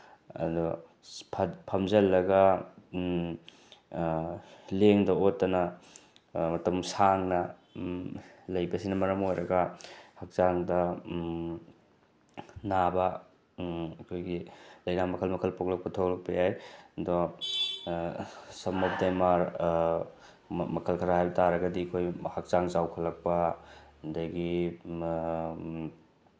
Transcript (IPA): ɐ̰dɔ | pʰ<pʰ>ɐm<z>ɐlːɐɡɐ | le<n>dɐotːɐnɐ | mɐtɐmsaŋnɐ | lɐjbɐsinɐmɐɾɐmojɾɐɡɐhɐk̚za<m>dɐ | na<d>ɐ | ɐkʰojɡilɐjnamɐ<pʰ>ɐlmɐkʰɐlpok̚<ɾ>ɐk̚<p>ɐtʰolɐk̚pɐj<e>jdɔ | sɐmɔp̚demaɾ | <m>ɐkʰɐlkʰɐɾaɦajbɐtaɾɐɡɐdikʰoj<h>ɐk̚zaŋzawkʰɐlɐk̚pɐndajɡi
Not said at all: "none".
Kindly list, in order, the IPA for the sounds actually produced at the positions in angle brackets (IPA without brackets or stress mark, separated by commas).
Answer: pʰ, z, ŋ, ŋ, b, kʰ, l, p, a, m, h